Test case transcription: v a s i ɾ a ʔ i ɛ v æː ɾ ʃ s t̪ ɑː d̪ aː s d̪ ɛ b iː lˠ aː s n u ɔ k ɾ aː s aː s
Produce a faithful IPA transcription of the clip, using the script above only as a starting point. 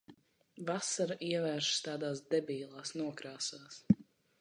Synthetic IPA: v a s a ɾ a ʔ i ɛ v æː ɾ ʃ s t̪ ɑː d̪ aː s d̪ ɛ b iː lˠ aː s n u ɔ k ɾ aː s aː s